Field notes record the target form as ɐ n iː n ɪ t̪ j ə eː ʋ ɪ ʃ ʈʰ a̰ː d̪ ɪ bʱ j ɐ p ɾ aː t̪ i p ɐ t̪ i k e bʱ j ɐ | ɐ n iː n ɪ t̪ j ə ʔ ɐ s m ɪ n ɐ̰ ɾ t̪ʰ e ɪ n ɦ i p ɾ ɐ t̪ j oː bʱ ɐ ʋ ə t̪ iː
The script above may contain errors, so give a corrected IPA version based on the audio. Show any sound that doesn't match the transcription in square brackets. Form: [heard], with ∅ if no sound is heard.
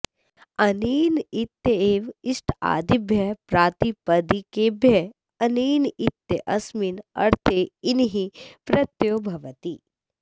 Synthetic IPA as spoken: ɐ n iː n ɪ t̪ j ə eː ʋ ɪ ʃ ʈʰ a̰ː d̪ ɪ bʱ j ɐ p ɾ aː t̪ i p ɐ [d̪] i k e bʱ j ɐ | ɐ n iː n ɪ t̪ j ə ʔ ɐ s m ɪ n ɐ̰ ɾ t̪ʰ e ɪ n ɦ i p ɾ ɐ t̪ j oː bʱ ɐ ʋ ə t̪ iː